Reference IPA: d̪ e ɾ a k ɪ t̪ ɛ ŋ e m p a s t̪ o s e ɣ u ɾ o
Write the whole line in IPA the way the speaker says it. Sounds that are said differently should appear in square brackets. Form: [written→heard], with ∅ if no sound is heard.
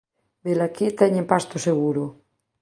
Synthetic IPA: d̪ e [ɾ→l] a k [ɪ→i] t̪ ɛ [ŋ→ɲ] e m p a s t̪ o s e ɣ u ɾ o

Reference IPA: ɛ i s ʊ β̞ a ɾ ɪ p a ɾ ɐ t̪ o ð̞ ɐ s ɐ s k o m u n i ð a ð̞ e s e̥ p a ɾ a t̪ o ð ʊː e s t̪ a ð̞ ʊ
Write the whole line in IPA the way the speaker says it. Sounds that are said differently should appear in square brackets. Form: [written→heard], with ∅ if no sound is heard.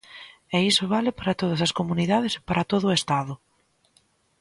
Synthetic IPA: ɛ i s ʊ β̞ a [ɾ→l] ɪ p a ɾ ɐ t̪ o ð̞ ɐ s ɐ s k o m u n i ð a ð̞ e s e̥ p a ɾ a t̪ o ð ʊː e s t̪ a ð̞ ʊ

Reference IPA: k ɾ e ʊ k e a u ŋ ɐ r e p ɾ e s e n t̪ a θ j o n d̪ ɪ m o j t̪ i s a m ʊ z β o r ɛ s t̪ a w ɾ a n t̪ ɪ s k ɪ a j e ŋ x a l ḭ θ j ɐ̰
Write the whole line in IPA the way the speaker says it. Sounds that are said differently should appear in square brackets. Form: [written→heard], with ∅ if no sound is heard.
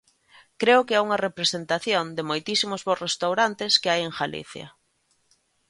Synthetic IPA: k ɾ e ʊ k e a u ŋ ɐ r e p ɾ e s e n t̪ a θ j o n d̪ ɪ m o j t̪ i s [a→i] m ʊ z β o r [ɛ→e] s t̪ a w ɾ a n t̪ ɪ s k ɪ a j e ŋ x a l ḭ θ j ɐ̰

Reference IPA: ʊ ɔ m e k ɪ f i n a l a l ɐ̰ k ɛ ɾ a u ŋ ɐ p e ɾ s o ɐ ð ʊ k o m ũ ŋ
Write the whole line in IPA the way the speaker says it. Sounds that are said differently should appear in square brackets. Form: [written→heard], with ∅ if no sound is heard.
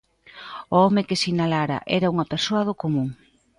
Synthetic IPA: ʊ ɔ m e k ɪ [f→s] i n a l a [l→ɾ] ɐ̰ [k→ʔ] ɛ ɾ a u ŋ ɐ p e ɾ s o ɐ ð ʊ k o m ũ ŋ

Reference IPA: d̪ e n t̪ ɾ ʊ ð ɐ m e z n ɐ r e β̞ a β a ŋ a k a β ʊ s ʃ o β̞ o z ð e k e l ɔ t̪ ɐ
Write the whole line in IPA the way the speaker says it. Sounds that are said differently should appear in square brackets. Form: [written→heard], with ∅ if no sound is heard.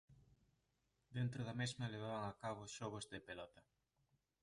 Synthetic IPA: d̪ e n t̪ ɾ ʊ ð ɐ m e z [n→m] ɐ [r→l] e β̞ a β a ŋ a k a β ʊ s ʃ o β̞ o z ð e [k→p] e l ɔ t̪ ɐ

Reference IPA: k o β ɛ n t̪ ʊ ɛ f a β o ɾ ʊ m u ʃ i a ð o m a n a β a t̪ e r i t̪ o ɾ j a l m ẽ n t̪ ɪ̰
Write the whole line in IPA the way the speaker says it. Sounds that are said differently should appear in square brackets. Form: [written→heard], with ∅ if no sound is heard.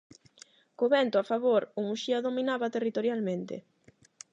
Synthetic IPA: k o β ɛ n t̪ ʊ [ɛ→a] f a β o ɾ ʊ m u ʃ i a ð o m [a→i] n a β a t̪ e r i t̪ o ɾ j a l m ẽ n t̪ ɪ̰

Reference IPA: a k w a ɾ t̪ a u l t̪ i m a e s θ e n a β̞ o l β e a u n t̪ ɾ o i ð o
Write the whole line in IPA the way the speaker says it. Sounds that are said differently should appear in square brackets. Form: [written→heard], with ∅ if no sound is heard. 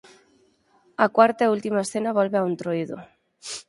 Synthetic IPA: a k w a ɾ t̪ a u l t̪ i m a e s θ e n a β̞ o l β e a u n t̪ ɾ o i ð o

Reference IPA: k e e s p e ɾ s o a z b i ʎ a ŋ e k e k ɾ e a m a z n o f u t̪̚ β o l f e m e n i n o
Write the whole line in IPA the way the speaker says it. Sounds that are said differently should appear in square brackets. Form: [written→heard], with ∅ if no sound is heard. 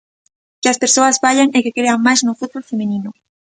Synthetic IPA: k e [e→a] s p e ɾ s o a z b [i→a] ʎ a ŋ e k e k ɾ e a m a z n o f u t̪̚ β o l f e m e n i n o

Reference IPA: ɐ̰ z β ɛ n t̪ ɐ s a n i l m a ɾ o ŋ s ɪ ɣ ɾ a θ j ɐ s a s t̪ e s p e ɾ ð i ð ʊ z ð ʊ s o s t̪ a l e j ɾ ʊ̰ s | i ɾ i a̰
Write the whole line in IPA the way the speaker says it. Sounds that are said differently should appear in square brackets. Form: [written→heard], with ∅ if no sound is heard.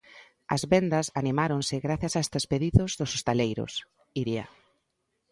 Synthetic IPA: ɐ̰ z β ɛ n [t̪→d̪] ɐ s a n i [l→∅] m a ɾ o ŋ s ɪ ɣ ɾ a θ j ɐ s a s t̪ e s p e [ɾ→∅] ð i ð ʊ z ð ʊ s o s t̪ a l e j ɾ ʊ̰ s | i ɾ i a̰

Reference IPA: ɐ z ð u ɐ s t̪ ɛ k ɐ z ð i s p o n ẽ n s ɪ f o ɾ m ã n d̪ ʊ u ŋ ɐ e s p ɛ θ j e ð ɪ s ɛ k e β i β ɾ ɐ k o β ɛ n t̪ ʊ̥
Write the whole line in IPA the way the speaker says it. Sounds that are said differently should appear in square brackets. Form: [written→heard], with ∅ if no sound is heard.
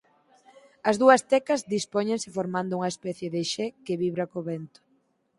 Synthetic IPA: ɐ z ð u ɐ s t̪ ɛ k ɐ z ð i s p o [n→ɲ] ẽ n s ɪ f o ɾ m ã n d̪ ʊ u ŋ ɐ e s p ɛ θ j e ð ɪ [s→ʃ] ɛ k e β i β ɾ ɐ k o β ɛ n t̪ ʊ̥

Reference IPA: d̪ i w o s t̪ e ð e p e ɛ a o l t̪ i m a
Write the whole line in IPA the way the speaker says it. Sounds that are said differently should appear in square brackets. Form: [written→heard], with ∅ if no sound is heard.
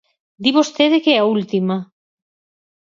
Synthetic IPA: d̪ i [w→β] o s t̪ e ð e [p→k] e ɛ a [o→u] l t̪ i m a

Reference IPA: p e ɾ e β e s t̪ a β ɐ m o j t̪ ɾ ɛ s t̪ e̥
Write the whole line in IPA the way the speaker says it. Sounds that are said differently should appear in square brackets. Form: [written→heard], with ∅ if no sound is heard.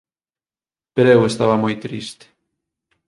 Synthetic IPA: p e ɾ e [β→w] e s t̪ a β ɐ m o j t̪ ɾ [ɛ→i] s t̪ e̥

